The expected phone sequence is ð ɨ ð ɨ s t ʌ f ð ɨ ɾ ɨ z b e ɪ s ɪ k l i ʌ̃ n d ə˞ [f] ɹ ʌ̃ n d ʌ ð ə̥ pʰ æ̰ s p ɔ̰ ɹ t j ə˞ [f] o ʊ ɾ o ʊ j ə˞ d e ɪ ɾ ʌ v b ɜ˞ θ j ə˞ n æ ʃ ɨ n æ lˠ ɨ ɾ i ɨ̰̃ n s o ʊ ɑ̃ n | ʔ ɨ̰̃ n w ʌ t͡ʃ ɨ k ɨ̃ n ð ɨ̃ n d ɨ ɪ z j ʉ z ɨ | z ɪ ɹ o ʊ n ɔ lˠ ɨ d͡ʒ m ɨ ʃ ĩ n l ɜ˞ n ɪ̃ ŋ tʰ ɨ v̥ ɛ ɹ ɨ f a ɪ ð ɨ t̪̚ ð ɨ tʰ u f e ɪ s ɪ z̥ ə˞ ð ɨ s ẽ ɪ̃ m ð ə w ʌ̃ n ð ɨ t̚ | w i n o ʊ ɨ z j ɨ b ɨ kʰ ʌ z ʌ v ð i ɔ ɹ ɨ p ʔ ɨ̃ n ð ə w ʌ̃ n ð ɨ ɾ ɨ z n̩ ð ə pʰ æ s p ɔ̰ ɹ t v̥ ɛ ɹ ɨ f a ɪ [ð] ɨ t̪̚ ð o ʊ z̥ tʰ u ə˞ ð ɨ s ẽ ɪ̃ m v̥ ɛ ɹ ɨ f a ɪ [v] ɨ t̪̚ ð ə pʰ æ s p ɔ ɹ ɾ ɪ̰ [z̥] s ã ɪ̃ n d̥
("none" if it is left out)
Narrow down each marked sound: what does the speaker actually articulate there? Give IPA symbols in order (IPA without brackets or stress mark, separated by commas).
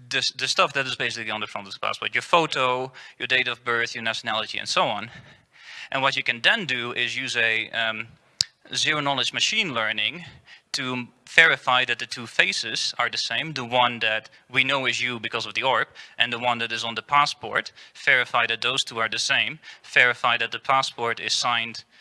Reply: f, f, ð, ð, z̥